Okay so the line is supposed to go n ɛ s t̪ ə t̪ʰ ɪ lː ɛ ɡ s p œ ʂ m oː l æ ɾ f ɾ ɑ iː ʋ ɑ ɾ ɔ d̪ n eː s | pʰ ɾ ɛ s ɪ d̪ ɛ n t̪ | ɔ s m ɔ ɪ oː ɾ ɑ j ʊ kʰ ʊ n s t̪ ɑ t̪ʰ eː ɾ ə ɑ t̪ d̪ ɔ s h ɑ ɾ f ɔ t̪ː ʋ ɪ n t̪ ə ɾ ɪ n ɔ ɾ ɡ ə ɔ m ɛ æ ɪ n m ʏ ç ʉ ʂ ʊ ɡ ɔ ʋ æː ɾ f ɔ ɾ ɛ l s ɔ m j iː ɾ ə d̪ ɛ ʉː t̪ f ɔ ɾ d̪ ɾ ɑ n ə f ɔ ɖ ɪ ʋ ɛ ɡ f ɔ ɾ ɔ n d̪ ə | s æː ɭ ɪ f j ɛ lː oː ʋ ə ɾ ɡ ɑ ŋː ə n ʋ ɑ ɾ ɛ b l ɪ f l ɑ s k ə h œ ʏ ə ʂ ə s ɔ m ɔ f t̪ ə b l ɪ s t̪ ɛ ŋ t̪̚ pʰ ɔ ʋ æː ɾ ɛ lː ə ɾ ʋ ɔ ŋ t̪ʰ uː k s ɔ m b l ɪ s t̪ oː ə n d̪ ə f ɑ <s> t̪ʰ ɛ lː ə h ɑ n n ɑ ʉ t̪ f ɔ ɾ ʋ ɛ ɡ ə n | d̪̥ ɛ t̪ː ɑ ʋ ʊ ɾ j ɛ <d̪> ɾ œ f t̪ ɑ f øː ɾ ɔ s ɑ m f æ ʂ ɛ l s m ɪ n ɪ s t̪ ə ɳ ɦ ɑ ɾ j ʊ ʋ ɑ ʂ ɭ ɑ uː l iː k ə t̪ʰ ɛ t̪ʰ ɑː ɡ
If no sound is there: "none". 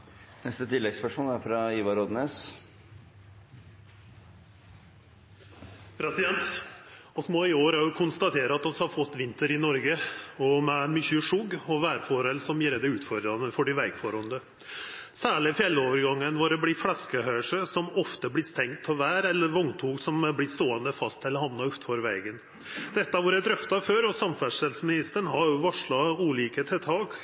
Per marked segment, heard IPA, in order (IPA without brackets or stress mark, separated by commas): s, d̪